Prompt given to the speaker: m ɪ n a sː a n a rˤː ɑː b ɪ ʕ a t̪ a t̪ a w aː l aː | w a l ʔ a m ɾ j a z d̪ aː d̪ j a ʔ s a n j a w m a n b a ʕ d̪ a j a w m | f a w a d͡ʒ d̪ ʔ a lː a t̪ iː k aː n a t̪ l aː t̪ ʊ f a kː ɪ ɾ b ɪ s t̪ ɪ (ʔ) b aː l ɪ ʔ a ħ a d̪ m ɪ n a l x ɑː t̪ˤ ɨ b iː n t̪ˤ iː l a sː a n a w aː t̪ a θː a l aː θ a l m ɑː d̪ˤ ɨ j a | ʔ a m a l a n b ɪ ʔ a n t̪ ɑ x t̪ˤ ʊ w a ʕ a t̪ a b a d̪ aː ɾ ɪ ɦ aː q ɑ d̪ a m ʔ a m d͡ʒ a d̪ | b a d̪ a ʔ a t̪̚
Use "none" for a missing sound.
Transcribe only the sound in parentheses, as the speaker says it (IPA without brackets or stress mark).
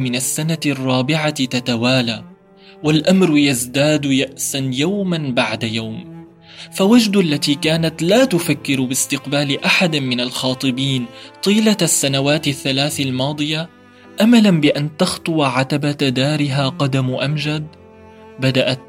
q